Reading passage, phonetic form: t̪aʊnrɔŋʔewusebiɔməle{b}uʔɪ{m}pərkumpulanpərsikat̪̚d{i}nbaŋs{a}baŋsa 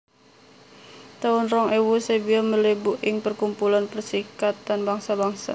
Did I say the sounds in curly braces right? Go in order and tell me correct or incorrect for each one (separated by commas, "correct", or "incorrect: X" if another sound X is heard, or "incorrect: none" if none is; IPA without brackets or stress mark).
correct, incorrect: ŋ, incorrect: a, correct